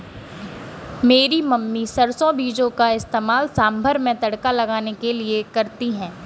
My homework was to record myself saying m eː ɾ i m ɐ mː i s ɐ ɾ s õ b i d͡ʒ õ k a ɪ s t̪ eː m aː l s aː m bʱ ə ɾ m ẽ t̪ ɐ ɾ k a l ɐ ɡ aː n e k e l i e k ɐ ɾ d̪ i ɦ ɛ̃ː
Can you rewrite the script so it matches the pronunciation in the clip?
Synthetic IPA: m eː ɾ i m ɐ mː i s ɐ ɾ s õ b iː d͡ʒ õ k a ɪ s t̪ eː m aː l s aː m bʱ ə ɾ m ẽ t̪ ɐ ɽ k a l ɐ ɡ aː n e k e l i e k ɐ ɾ t̪ i ɦ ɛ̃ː